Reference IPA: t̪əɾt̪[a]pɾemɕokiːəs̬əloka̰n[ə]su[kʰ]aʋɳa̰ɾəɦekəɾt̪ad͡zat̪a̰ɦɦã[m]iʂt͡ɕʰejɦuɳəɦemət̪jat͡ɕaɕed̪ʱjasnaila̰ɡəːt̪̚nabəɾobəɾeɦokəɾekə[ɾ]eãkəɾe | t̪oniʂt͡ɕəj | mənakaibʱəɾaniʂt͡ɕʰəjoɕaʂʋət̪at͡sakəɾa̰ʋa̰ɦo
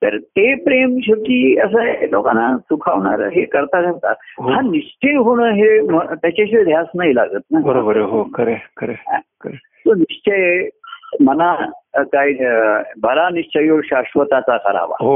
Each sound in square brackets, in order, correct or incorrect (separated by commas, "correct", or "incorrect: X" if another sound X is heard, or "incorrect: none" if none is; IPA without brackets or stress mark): incorrect: e, incorrect: a, correct, incorrect: n, correct